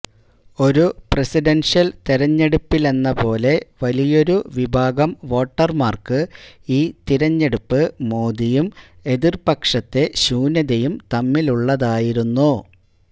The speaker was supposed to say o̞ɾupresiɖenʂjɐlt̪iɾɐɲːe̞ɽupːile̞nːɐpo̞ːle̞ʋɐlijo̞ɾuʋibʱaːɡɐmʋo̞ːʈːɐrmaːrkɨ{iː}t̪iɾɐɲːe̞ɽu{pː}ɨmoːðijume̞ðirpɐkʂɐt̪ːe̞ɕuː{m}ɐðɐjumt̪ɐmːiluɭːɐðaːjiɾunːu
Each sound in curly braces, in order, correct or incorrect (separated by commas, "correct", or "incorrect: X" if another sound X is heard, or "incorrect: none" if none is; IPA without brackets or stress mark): correct, correct, incorrect: n